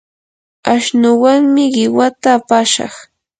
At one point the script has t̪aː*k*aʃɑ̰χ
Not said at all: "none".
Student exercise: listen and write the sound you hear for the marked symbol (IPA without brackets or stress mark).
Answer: p